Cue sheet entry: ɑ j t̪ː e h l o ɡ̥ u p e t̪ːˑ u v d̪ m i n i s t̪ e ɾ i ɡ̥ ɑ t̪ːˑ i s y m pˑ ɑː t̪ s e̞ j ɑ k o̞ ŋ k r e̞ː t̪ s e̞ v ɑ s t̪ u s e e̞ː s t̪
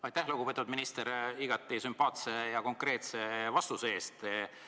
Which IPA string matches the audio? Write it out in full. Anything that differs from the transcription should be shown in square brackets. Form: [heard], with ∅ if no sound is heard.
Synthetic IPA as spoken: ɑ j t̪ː [æ] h l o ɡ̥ u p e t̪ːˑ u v d̪ m i n i s t̪ e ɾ i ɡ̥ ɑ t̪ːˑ i s y m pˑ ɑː t̪ s e̞ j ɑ k o̞ ŋ k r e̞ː t̪ s e̞ v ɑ s t̪ u s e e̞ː s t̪